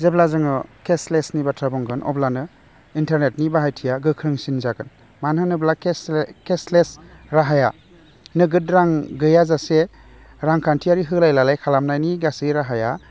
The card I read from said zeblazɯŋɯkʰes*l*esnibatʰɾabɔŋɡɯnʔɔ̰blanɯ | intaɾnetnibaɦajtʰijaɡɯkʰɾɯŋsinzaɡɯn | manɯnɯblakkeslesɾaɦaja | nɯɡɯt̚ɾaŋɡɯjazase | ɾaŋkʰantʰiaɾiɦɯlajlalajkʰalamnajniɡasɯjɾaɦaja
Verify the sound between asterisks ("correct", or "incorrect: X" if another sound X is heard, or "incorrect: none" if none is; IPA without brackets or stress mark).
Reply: correct